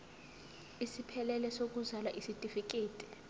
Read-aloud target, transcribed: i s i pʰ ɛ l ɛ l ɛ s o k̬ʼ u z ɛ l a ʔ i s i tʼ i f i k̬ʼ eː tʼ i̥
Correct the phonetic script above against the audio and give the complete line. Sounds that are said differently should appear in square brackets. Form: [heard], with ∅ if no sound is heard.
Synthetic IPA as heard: i s i pʰ ɛ l ɛ l ɛ s o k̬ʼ u z [a] l a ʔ i s i tʼ i f i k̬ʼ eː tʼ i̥